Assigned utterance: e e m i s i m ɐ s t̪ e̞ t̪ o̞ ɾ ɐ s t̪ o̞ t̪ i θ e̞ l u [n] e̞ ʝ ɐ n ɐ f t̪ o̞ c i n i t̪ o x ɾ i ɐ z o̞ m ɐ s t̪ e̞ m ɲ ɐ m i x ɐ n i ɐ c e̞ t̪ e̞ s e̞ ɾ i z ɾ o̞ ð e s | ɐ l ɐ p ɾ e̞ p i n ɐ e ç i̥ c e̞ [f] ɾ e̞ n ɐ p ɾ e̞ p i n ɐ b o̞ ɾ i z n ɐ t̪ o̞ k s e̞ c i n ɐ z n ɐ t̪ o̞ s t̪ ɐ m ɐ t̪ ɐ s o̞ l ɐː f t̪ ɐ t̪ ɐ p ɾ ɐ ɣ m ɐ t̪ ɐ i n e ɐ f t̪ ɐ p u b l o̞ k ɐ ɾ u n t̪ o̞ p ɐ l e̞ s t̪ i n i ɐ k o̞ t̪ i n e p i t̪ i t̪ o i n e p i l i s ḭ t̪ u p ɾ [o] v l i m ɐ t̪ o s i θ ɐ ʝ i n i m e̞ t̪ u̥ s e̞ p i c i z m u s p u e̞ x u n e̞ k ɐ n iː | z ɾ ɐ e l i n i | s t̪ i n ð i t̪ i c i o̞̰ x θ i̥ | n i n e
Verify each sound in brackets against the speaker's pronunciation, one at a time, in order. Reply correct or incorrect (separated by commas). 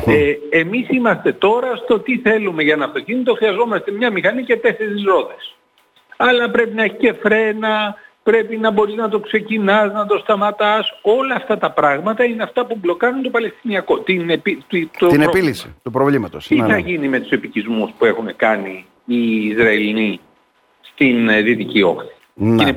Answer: incorrect, correct, correct